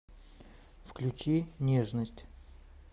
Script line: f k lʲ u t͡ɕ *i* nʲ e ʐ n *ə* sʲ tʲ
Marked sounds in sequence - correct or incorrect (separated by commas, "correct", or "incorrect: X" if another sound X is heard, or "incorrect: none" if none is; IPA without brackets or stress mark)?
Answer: correct, correct